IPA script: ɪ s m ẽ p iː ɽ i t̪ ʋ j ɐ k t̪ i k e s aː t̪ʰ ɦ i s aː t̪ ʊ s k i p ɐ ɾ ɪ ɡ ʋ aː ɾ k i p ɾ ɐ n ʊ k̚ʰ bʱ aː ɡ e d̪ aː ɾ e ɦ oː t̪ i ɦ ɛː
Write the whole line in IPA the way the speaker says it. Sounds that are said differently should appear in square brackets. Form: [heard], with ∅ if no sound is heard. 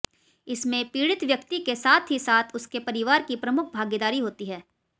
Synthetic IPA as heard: ɪ s m ẽ p iː ɽ [ɪ] t̪ ʋ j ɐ k t̪ i k e s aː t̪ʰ ɦ i s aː [t̪ʰ] ʊ s k [e] p ɐ ɾ ɪ [∅] ʋ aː ɾ k i p ɾ ɐ [m] ʊ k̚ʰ bʱ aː ɡ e d̪ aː ɾ [i] ɦ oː t̪ i ɦ ɛː